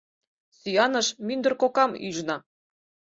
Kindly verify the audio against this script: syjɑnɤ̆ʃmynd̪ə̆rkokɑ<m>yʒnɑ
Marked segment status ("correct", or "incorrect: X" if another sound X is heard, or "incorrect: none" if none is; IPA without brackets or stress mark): correct